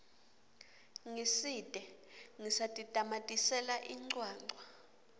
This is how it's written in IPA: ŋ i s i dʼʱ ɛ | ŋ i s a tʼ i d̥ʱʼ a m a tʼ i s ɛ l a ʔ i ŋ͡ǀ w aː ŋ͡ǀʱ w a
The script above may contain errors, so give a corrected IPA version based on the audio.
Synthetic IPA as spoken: ŋ i s i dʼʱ ɛ | ŋ i s a tʼ i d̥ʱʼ a m a tʼ i s ɛ l a ʔ i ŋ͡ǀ w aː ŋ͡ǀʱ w a

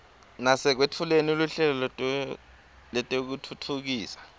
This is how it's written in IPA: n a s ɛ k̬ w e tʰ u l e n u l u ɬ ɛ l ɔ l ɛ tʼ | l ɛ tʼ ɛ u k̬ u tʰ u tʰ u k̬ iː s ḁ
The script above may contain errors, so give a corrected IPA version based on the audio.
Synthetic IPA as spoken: n a s ɛ k̬ w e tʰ u l e n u l u ɬ ɛ l ɔ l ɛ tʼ | l ɛ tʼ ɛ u k̬ u tʰ u tʰ u k̬ iː s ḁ

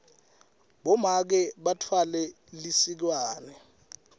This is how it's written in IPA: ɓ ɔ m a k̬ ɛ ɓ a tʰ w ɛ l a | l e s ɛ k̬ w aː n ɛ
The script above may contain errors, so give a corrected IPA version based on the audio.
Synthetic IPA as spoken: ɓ ɔ m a k̬ ɛ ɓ a tʰ w a l ɛ | l i s i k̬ w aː n ɛ

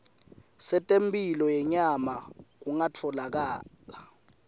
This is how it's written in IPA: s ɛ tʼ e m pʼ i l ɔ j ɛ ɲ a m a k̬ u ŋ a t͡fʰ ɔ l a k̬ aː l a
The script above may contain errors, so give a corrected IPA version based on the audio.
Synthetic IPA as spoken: s ɛ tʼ e m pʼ i l ɔ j ɛ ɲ a m a k̬ u ŋ a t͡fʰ ɔ l a k̬ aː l a

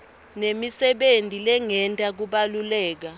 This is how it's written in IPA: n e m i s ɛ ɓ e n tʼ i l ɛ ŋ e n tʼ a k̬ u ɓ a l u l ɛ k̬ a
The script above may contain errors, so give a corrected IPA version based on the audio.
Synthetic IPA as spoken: n e m i s ɛ ɓ e n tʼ i l ɛ ŋ ɛ n tʼ a k̬ u ɓ a l u l ɛː k̬ a

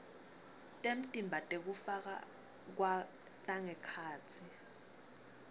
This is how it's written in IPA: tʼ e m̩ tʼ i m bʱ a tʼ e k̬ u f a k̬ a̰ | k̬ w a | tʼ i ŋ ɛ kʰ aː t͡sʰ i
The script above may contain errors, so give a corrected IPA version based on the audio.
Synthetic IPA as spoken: tʼ e m̩ tʼ i m bʱ a tʼ e k̬ u f a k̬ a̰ | k̬ w a | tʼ a ŋ ɛ kʰ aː t͡sʰ i

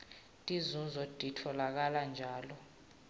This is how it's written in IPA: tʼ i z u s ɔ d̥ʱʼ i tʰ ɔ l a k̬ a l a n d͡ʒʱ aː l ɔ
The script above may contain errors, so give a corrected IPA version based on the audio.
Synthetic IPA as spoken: tʼ i z u z ɔ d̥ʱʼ i tʰ ɔ l a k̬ a l a n d͡ʒʱ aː l ɔ

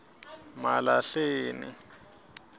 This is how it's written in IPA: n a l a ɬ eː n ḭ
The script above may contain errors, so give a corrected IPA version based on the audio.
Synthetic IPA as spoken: m a l a ɬ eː n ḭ

